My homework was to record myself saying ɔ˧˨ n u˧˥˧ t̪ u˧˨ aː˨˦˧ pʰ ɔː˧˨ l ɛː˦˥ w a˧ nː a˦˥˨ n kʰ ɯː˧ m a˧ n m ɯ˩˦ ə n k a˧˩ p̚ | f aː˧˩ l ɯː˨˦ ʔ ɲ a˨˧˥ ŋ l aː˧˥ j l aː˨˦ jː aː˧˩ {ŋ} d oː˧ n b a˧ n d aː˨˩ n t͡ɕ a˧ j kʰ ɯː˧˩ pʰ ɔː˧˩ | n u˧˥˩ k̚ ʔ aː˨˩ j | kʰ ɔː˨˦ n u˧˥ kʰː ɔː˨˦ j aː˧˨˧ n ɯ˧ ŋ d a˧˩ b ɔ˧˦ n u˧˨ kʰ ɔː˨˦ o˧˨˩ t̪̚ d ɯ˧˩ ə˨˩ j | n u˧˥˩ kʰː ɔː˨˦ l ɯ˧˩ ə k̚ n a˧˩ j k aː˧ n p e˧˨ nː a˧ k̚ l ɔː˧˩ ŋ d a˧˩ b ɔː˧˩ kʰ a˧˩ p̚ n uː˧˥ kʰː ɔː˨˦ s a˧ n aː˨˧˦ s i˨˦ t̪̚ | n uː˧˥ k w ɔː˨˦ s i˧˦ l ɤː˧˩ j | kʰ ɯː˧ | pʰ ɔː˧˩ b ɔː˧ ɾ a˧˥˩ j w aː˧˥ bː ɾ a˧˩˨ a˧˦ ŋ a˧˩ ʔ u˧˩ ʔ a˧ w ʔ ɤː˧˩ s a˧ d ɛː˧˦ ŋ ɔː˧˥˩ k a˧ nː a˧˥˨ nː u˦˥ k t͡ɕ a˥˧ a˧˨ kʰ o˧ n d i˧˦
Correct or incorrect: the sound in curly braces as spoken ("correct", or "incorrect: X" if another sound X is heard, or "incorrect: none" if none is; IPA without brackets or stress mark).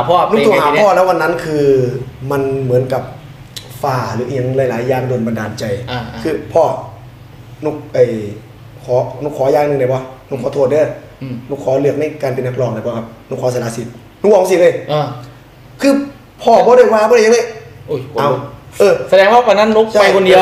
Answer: correct